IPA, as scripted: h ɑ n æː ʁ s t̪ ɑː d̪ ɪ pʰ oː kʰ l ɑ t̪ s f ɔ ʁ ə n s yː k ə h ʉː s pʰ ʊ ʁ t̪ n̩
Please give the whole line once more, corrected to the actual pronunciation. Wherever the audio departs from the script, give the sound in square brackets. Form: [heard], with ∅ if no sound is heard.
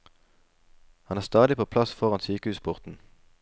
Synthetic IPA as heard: h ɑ n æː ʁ s t̪ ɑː d̪ ɪ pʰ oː [pʰ] l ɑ [∅] s f ɔ ʁ [ɑ] n s yː k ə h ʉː s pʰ ʊ ʁ t̪ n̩